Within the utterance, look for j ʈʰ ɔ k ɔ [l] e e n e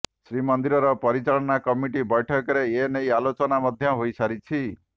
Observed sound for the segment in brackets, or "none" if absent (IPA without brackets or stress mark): ɾ